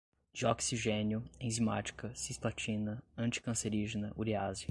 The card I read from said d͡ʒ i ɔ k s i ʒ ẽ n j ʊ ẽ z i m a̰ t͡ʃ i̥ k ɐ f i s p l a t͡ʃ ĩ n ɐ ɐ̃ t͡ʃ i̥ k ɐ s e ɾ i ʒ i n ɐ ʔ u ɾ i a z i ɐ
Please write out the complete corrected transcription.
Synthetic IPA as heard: d͡ʒ i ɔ k s i ʒ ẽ n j ʊ ẽ z i m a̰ t͡ʃ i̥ k ɐ s i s p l a t͡ʃ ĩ n ɐ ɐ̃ t͡ʃ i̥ k ɐ̃ s e ɾ i ʒ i n ɐ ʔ u ɾ i a z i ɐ